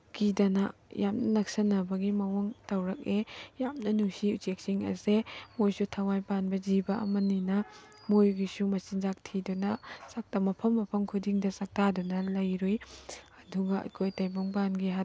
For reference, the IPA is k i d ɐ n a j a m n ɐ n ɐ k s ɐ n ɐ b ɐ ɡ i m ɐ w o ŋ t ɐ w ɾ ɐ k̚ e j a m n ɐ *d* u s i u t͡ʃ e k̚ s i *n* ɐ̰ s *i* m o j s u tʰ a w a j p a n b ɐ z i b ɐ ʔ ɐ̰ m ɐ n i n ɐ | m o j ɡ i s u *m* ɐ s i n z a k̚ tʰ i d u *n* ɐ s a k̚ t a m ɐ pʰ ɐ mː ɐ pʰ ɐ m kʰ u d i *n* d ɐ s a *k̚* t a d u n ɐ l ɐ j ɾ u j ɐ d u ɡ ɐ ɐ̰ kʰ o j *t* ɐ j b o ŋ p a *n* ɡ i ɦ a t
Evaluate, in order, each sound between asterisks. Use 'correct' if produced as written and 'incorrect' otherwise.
incorrect: n, incorrect: ŋ, incorrect: e, correct, correct, incorrect: ŋ, correct, correct, correct

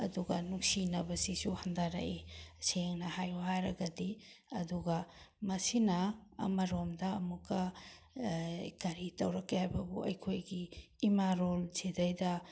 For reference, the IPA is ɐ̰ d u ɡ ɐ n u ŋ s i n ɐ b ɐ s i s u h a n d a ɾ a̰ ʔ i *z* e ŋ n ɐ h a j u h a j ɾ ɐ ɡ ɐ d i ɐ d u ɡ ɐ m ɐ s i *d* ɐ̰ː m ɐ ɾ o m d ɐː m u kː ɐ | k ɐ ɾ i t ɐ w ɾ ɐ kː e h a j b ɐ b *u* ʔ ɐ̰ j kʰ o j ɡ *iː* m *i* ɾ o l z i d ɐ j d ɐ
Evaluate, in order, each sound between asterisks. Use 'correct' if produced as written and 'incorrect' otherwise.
incorrect: s, incorrect: n, correct, correct, incorrect: a

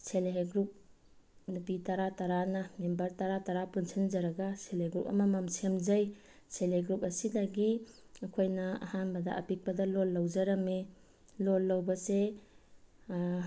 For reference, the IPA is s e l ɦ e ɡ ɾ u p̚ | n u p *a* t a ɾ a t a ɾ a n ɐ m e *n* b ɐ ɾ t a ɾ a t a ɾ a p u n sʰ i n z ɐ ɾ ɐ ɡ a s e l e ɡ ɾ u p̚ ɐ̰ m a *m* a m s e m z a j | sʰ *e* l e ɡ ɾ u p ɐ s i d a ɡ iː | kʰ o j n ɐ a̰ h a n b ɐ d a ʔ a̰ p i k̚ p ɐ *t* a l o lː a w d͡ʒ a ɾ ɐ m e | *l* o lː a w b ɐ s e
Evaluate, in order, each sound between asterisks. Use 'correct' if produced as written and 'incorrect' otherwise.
incorrect: i, incorrect: m, correct, correct, incorrect: d, correct

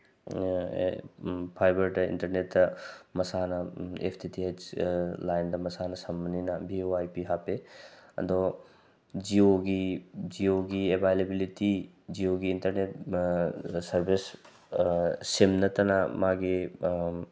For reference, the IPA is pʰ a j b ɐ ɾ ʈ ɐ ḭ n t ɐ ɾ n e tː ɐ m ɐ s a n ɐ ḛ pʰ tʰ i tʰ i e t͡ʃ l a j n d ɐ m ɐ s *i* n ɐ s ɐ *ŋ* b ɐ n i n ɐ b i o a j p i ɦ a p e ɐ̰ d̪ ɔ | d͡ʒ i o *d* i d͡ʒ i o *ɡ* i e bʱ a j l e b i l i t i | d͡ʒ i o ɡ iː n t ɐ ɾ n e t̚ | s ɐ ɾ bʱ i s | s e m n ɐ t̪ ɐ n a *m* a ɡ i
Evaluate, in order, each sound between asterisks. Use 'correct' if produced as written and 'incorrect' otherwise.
incorrect: a, incorrect: m, incorrect: ɡ, correct, correct

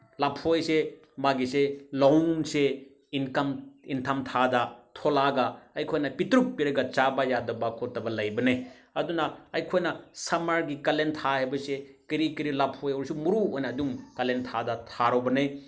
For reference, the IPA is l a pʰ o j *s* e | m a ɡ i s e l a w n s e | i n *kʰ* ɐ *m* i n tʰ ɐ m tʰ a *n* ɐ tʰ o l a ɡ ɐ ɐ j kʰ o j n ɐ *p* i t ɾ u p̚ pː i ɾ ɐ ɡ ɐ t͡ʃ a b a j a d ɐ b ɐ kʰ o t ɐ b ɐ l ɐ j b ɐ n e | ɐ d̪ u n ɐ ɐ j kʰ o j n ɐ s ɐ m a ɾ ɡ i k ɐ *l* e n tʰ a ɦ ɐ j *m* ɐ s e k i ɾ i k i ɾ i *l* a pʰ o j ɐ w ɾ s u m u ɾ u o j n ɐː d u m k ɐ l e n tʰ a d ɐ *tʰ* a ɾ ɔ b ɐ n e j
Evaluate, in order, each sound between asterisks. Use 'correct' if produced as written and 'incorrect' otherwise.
correct, incorrect: k, correct, incorrect: d, correct, correct, incorrect: b, correct, correct

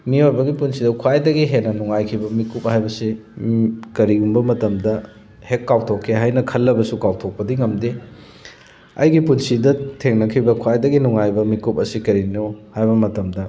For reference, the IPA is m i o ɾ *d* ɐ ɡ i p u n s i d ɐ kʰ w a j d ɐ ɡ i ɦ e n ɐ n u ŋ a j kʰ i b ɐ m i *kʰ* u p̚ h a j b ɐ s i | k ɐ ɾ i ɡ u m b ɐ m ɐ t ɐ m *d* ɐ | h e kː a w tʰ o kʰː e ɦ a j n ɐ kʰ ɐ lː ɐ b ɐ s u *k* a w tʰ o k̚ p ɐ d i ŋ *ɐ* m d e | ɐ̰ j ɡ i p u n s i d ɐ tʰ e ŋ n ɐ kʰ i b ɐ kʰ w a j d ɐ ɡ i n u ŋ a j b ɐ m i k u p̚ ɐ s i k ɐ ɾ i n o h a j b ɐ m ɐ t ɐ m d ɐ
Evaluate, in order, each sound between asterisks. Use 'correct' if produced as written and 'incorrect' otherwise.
incorrect: b, incorrect: k, correct, correct, correct

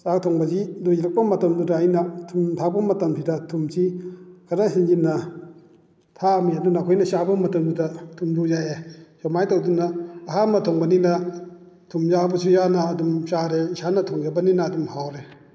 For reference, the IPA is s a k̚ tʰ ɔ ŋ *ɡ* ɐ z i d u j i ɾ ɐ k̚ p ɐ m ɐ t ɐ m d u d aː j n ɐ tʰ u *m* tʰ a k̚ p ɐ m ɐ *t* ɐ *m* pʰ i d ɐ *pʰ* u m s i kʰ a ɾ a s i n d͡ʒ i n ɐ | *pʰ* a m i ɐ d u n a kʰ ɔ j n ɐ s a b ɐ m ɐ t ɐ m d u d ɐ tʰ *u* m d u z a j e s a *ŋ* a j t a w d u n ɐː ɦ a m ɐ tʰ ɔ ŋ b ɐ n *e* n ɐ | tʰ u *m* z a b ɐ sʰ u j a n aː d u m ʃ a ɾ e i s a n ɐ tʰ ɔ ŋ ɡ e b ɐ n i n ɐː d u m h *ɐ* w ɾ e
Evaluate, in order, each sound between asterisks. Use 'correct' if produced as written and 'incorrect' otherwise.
incorrect: b, correct, correct, correct, incorrect: tʰ, incorrect: tʰ, correct, incorrect: m, incorrect: i, correct, incorrect: a

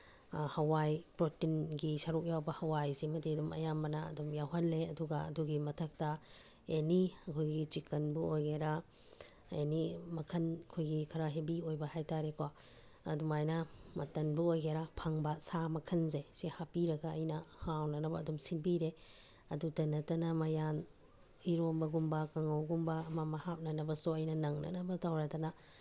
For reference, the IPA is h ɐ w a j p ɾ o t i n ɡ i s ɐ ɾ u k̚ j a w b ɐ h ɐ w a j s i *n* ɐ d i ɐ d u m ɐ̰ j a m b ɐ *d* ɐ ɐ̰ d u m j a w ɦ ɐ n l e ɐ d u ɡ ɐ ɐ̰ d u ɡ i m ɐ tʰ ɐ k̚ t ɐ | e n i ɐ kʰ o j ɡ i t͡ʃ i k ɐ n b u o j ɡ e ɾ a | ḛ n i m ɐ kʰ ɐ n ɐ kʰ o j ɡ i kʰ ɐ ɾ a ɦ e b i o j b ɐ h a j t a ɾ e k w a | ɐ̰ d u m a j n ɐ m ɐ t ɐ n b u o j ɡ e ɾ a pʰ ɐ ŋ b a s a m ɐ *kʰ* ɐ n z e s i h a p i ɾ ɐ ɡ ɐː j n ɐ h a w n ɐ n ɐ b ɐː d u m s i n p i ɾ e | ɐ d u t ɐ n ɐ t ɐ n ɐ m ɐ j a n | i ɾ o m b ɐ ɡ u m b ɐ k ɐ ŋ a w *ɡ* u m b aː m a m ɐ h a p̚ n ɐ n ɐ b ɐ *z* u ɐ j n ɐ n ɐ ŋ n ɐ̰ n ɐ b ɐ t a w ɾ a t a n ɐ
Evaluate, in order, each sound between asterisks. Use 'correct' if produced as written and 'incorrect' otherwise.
incorrect: m, incorrect: n, correct, correct, incorrect: s

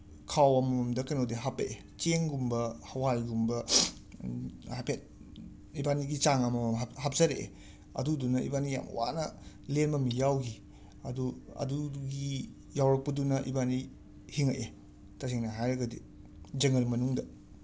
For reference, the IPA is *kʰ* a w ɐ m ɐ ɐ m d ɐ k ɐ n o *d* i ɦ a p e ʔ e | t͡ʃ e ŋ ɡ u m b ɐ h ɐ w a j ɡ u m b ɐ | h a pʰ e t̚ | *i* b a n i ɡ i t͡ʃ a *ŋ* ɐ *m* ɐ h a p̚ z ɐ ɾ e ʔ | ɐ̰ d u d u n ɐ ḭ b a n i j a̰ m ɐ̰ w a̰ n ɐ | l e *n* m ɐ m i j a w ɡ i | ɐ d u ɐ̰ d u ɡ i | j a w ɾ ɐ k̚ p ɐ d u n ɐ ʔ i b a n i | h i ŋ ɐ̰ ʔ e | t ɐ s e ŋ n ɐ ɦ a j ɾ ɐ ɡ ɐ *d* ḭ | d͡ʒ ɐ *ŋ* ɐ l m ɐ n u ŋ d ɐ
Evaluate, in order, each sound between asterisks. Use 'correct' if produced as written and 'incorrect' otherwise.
correct, correct, correct, correct, correct, correct, correct, correct

